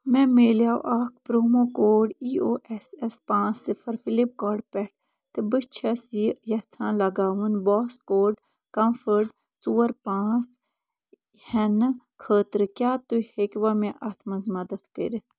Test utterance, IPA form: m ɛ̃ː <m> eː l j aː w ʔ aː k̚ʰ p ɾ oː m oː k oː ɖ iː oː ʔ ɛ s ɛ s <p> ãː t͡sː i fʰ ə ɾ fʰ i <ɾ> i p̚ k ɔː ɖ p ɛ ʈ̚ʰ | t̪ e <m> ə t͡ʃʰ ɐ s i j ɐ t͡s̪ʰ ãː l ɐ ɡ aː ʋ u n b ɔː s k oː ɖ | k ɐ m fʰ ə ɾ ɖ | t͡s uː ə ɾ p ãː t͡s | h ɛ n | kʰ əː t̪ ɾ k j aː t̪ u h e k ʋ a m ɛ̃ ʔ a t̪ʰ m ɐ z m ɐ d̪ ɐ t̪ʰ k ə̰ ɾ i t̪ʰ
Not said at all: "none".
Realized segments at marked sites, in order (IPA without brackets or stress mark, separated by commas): m, p, l, b